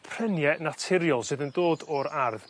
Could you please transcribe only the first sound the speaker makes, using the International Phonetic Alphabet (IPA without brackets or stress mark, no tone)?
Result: pʰ